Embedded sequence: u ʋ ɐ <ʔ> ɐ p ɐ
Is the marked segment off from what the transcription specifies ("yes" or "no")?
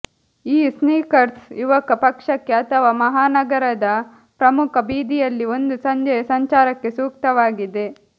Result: yes